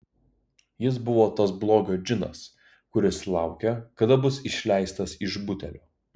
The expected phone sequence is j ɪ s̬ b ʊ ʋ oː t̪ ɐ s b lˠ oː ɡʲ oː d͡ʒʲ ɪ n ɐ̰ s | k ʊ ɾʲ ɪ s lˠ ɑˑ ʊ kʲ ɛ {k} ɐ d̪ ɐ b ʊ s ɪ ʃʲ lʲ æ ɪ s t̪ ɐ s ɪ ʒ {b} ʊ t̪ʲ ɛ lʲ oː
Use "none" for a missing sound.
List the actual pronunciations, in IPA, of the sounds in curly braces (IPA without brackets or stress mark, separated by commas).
k, b